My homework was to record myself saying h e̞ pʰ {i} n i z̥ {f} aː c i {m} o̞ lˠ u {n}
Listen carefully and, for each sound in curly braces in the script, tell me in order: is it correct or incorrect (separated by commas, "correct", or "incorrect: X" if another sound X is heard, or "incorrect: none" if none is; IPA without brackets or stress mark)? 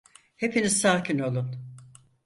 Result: correct, incorrect: s, incorrect: n, correct